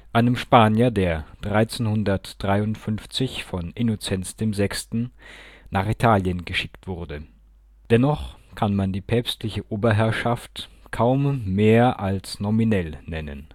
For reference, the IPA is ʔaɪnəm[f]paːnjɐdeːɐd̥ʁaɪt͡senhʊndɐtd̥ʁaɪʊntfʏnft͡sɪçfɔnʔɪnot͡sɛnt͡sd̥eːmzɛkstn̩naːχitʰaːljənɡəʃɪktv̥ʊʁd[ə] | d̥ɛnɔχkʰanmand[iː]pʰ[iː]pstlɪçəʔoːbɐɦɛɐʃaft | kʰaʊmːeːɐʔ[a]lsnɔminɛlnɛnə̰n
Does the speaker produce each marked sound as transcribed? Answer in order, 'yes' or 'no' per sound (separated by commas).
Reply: no, yes, yes, no, yes